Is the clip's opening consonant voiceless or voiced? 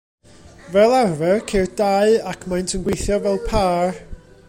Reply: voiced